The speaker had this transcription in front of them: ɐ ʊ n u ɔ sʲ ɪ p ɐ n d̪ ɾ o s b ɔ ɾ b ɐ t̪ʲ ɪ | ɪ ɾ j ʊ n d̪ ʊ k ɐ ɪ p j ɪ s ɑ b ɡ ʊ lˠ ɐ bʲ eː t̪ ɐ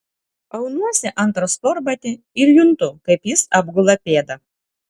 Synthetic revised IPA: ɐ ʊ n u ɔ sʲ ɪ ʔ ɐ n t̪ ɾ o s p ɔ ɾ b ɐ t̪ʲ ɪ | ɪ ɾ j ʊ n t̪ ʊ k ɐ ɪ p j ɪ s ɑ b ɡ ʊ lˠ ɐ pʲ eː d̪ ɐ